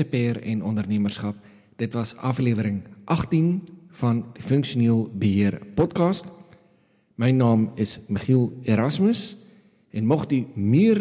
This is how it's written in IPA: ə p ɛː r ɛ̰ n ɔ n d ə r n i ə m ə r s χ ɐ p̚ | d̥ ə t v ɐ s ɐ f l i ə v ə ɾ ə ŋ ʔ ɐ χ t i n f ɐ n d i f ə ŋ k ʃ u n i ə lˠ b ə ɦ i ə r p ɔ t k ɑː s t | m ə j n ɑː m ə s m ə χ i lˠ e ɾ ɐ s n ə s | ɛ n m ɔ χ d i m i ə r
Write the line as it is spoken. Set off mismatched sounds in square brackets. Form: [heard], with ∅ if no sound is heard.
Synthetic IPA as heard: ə p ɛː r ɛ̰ n ɔ n d ə r n i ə m ə r s χ ɐ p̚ | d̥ ə t v ɐ s ɐ f l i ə v ə ɾ ə ŋ ʔ ɐ χ t i n f ɐ n d i f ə ŋ k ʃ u n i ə lˠ b ə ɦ i ə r p ɔ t k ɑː s t | m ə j n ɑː m ə s m ə χ i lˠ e ɾ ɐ s [m] ə s | ɛ n m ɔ χ d i m i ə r